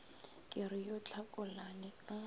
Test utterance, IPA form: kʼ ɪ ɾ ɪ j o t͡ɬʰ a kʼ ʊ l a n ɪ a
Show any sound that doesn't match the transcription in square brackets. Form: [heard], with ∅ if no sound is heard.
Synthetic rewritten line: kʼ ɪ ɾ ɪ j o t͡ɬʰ a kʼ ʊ l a n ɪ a